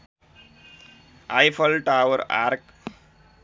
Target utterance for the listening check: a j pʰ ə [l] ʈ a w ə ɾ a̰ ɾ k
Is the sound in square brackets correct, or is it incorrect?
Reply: correct